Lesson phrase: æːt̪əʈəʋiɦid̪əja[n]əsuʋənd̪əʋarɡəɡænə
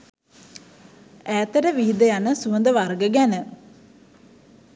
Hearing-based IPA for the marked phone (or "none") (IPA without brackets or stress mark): n